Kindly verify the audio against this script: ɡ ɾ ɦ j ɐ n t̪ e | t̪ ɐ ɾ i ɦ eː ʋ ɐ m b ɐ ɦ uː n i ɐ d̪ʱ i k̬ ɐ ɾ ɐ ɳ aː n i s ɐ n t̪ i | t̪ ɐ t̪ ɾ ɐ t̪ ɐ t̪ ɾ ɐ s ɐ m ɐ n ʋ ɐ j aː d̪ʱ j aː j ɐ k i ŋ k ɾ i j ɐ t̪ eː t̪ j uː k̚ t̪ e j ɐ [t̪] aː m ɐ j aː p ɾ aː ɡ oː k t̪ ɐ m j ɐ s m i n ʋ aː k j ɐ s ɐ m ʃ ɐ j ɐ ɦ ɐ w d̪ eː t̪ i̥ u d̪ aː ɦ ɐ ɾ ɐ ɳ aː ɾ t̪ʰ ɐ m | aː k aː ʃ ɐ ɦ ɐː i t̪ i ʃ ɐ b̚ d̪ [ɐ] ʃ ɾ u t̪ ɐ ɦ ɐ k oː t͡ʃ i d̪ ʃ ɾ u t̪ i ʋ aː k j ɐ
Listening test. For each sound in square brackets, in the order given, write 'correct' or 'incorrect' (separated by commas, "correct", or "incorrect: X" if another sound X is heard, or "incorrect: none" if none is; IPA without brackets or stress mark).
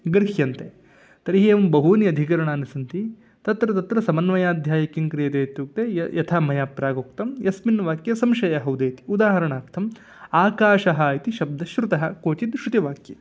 incorrect: t̪ʰ, correct